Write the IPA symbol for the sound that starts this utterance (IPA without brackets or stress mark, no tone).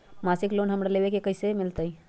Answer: m